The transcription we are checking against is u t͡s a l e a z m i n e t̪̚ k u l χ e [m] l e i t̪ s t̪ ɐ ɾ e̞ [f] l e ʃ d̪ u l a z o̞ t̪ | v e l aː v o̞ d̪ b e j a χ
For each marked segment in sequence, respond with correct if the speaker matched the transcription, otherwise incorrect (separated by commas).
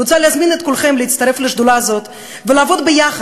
correct, correct